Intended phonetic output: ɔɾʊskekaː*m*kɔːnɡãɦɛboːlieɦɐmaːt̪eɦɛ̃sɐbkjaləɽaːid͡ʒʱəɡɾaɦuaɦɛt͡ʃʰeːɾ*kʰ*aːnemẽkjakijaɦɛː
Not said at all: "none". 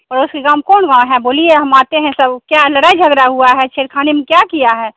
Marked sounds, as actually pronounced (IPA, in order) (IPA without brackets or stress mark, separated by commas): m, kʰ